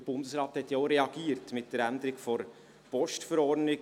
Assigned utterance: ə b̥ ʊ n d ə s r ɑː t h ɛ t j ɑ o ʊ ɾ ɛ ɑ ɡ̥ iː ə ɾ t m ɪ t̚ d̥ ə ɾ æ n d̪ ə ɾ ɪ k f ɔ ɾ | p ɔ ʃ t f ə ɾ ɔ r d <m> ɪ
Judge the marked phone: incorrect: n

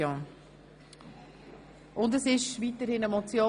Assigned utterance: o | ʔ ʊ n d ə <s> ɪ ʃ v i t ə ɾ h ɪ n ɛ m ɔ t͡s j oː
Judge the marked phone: correct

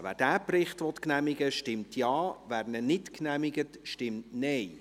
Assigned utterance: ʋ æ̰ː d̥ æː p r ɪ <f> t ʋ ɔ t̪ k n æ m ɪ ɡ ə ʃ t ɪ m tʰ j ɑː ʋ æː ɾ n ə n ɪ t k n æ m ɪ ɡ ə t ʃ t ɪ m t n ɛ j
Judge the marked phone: incorrect: χ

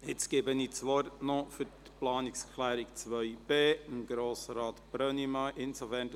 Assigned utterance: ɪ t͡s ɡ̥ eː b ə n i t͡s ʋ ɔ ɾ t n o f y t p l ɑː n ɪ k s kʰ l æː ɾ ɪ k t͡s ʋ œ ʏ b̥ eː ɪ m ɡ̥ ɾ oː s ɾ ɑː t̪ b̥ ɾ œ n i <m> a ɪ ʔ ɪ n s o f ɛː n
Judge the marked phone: correct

